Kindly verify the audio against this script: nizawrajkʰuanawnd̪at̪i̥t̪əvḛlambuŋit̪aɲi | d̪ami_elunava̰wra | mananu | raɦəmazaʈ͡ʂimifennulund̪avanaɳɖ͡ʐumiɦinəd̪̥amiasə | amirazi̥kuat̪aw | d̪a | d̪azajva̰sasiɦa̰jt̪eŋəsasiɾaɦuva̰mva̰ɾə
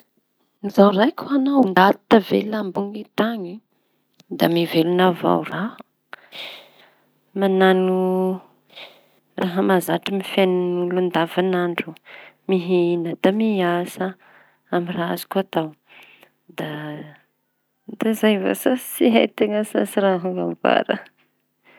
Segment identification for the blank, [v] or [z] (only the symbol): v